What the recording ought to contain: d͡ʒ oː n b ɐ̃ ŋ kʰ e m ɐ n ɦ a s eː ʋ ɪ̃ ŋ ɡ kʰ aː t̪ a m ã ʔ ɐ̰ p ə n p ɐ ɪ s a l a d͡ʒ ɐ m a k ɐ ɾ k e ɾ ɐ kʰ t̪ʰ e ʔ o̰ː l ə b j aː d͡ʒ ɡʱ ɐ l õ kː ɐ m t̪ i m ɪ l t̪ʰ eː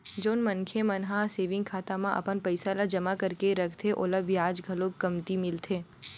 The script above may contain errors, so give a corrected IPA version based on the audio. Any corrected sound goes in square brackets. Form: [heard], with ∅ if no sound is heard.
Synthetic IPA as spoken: d͡ʒ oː n [m] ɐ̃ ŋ kʰ e m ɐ n ɦ a s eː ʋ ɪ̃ ŋ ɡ kʰ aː t̪ a m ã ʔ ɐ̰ p ə n p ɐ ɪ s a l a d͡ʒ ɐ m a k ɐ ɾ k e ɾ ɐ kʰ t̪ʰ e ʔ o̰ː l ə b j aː d͡ʒ ɡʱ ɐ l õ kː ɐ m t̪ i m ɪ l t̪ʰ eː